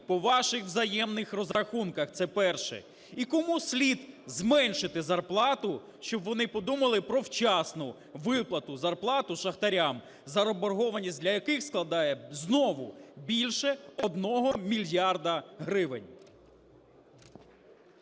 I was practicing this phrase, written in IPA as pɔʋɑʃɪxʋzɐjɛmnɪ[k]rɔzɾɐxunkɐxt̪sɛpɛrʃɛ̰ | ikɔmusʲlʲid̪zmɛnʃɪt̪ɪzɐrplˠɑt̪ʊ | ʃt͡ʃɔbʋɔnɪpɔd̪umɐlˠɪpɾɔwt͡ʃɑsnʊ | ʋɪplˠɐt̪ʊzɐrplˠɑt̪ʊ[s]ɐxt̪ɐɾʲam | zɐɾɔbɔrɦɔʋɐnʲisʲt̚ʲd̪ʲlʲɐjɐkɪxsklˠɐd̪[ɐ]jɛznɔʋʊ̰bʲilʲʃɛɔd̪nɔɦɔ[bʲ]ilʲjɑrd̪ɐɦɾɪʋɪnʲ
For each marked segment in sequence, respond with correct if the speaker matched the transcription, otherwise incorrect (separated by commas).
incorrect, incorrect, incorrect, incorrect